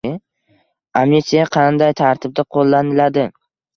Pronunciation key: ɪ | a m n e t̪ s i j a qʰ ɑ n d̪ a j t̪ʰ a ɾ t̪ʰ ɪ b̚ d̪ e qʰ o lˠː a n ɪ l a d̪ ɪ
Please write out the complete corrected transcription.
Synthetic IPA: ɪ | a m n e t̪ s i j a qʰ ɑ n d̪ a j t̪ʰ a ɾ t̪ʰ ɪ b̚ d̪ a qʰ o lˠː a n ɪ l a d̪ ɪ